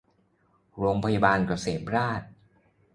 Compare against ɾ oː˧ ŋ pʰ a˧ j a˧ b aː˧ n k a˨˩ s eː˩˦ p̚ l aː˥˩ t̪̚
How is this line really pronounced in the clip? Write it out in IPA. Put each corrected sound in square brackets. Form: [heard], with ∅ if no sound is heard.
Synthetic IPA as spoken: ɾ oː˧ ŋ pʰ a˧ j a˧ b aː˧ n k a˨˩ s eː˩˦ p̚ [ɾ] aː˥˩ t̪̚